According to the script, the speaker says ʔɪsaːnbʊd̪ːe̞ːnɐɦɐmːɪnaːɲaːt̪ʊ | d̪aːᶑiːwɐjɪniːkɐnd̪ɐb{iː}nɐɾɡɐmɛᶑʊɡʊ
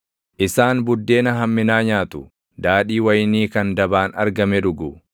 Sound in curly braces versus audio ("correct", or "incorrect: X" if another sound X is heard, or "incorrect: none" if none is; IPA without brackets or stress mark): incorrect: aː